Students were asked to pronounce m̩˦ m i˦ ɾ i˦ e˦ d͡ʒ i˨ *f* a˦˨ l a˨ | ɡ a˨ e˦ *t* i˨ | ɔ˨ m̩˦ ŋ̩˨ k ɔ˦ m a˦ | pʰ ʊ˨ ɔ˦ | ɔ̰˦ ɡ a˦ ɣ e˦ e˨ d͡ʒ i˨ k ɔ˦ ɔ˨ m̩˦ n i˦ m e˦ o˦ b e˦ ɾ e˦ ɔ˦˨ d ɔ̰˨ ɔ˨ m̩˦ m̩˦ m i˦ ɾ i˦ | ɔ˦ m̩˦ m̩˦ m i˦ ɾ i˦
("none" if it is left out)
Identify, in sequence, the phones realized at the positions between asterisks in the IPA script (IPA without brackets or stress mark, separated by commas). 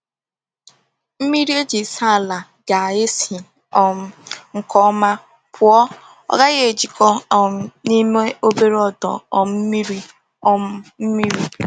s, s